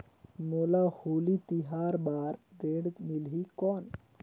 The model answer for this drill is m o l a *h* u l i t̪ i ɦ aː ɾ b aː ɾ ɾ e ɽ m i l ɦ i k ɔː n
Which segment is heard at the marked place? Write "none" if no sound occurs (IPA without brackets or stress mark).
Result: h